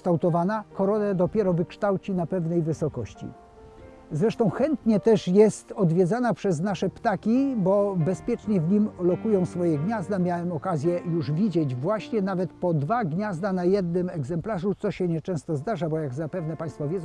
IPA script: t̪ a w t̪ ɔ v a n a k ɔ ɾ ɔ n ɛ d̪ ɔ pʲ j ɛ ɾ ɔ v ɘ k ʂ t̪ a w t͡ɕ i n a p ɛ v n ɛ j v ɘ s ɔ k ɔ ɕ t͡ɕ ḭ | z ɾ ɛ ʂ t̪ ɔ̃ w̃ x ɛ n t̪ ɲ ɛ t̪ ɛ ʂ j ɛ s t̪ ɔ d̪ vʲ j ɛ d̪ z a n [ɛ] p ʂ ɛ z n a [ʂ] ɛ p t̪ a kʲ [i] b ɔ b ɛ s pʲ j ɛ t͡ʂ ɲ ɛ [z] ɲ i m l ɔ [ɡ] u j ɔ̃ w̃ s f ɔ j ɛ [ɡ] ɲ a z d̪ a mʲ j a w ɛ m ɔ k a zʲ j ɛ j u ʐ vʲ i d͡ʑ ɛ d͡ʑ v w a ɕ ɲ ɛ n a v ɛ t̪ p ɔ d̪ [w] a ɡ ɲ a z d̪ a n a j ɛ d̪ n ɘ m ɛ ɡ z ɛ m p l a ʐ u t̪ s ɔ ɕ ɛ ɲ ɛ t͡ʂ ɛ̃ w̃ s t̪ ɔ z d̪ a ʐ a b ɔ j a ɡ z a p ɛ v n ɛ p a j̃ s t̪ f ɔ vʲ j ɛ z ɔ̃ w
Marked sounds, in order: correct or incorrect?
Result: incorrect, correct, correct, incorrect, incorrect, correct, incorrect

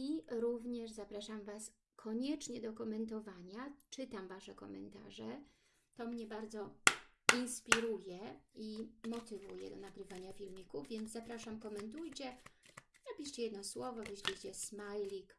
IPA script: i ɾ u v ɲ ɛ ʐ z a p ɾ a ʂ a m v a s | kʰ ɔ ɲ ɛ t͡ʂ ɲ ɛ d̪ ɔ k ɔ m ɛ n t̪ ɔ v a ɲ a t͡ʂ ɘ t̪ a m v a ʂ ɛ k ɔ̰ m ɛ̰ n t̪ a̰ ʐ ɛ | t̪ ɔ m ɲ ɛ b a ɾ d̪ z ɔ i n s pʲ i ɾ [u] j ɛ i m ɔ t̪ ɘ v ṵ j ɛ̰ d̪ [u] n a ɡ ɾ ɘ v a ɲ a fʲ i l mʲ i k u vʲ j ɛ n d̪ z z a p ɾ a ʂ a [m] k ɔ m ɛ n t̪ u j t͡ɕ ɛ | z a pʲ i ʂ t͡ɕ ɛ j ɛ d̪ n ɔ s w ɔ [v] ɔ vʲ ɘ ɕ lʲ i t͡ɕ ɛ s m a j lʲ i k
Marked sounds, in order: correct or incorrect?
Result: correct, incorrect, correct, correct

